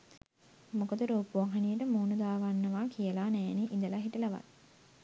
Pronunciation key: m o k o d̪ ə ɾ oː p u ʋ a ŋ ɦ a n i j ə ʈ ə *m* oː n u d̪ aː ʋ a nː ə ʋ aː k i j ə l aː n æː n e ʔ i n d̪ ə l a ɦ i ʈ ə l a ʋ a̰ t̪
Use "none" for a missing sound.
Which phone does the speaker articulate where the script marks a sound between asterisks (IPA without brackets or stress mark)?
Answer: m